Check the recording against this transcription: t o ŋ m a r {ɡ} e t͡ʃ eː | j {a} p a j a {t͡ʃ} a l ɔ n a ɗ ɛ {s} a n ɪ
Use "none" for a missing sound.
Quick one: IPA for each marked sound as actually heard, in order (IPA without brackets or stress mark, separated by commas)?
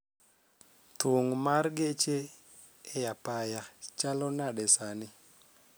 ɡ, a, t͡ʃ, s